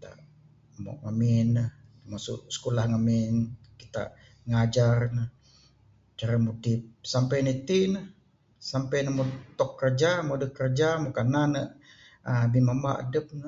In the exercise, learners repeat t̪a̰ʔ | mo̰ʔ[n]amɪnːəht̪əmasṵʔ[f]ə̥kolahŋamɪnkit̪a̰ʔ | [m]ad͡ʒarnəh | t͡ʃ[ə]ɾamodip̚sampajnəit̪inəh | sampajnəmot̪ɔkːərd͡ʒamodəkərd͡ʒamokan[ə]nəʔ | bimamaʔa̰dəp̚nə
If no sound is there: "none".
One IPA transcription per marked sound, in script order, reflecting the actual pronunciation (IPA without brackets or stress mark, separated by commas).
ŋ, s, ŋ, a, a